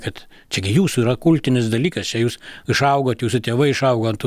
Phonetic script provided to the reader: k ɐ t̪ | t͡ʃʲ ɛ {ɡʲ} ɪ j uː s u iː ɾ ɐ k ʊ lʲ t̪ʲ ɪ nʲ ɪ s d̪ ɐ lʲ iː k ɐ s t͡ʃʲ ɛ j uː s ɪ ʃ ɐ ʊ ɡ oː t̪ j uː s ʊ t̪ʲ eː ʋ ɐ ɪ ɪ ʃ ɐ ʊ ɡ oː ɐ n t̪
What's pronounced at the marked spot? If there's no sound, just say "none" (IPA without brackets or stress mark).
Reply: ɡʲ